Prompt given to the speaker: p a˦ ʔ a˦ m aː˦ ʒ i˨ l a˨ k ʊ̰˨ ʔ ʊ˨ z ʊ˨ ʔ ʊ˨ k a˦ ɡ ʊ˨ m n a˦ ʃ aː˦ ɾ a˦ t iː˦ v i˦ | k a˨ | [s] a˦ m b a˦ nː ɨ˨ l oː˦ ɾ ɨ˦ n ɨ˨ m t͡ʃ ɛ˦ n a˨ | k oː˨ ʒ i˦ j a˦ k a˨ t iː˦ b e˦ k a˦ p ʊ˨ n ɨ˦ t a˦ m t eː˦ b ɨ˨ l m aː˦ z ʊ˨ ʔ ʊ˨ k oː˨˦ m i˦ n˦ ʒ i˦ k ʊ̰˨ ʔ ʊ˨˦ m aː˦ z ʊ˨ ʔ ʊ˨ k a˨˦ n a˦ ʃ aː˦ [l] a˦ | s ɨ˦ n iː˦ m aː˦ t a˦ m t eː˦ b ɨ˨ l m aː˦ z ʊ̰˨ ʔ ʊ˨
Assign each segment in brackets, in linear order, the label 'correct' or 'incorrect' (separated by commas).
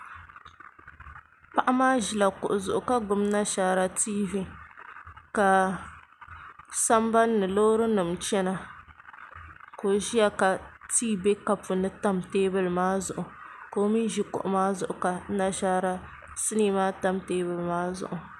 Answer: correct, incorrect